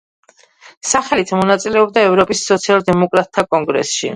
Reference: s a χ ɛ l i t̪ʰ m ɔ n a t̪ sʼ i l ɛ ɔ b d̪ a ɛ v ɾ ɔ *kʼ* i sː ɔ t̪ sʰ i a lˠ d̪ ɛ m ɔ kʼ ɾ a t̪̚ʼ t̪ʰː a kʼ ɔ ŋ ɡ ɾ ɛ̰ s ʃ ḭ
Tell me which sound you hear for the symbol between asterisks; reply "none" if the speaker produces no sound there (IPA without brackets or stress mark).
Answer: pʼ